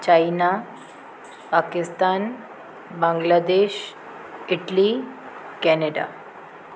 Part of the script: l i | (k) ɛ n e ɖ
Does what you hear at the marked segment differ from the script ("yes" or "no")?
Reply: no